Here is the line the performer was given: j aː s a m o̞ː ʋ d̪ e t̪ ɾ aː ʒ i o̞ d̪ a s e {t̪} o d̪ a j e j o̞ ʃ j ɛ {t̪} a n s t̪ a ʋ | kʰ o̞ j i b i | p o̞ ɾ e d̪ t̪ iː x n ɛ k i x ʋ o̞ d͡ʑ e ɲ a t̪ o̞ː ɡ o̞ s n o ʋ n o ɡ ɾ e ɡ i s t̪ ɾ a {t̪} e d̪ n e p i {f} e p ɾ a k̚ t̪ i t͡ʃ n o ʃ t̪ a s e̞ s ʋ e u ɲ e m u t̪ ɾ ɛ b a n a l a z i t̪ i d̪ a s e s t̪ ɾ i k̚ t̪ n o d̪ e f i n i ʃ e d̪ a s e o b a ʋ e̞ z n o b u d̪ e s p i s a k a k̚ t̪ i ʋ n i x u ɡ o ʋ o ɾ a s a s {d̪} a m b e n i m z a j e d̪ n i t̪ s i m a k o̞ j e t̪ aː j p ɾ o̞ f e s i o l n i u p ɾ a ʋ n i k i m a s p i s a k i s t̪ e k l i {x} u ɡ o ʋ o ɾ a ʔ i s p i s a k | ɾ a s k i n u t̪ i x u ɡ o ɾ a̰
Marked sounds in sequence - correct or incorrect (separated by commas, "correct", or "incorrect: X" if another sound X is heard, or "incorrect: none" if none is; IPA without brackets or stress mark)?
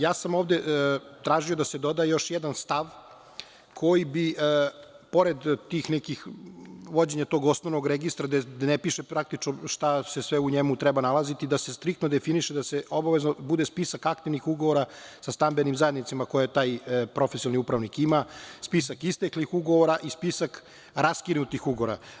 incorrect: d̪, incorrect: d̪, incorrect: d̪, incorrect: ʃ, incorrect: t̪, correct